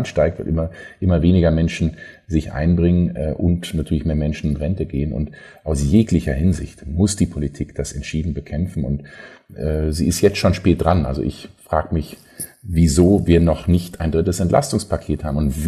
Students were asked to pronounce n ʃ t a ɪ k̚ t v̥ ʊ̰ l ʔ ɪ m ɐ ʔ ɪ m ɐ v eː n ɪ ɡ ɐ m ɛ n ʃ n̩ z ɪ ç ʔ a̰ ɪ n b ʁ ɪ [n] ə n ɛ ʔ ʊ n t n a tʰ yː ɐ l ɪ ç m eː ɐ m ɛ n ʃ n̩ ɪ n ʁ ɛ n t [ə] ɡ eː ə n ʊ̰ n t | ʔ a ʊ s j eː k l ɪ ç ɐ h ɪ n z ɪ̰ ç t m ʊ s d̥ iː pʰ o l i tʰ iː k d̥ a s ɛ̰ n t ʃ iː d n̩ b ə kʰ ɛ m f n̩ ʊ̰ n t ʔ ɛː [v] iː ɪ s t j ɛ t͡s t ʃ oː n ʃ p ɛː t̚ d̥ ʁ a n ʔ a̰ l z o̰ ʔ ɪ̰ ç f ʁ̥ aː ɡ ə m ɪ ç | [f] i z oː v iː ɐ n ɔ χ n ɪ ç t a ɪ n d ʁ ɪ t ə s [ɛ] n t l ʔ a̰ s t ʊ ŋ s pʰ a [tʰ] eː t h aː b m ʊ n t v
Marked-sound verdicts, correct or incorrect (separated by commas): incorrect, correct, incorrect, incorrect, correct, incorrect